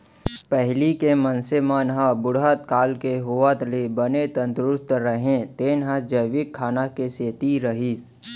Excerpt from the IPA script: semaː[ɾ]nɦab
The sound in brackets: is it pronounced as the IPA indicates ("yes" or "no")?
no